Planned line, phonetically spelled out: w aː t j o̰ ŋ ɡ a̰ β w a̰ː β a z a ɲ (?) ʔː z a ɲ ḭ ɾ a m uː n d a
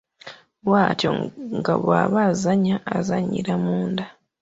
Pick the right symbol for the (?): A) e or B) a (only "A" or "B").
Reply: B